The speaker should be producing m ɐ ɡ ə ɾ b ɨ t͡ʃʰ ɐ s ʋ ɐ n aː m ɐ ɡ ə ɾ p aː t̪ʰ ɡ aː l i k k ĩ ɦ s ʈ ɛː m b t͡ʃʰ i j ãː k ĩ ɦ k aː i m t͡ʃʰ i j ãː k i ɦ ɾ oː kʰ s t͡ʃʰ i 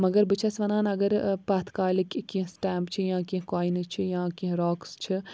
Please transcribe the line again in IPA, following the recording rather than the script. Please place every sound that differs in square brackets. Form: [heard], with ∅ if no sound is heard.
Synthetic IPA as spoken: m ɐ ɡ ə ɾ b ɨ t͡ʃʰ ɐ s ʋ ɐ n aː [n] ɐ ɡ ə ɾ p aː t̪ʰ [k] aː l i k k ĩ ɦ s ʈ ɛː m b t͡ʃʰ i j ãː k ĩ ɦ k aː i [n] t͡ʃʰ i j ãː k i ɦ ɾ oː [k] s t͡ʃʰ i

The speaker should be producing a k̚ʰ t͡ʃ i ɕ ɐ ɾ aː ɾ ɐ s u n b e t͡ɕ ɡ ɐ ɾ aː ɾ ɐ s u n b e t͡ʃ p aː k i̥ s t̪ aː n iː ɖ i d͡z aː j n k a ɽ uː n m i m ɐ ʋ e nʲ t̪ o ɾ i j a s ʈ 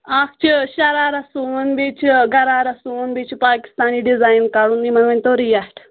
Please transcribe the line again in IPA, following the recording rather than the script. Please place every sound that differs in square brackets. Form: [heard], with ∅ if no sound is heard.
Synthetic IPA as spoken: a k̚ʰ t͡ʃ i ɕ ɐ ɾ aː ɾ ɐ s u n b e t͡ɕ ɡ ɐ ɾ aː ɾ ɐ s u n b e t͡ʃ p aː k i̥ s t̪ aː n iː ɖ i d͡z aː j n k a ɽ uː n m i m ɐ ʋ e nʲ t̪ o ɾ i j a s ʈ

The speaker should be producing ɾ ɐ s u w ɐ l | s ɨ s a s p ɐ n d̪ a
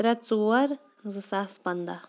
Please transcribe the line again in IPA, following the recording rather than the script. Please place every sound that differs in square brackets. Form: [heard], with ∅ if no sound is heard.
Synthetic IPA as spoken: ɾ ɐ [t͡s] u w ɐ [ɾ] | [z] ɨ s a s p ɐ n d̪ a

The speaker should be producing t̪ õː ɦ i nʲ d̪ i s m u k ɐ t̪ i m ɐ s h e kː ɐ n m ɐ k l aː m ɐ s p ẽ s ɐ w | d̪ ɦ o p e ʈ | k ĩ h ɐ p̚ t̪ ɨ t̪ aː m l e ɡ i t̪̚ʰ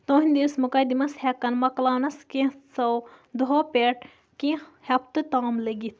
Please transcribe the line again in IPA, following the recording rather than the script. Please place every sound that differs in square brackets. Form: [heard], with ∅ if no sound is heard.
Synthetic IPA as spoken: t̪ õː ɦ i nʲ d̪ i s m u k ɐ [d̪] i m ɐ s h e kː ɐ n m ɐ k l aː [n] ɐ s [k] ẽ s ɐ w | d̪ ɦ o p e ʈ | k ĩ h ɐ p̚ t̪ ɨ t̪ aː m l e ɡ i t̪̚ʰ

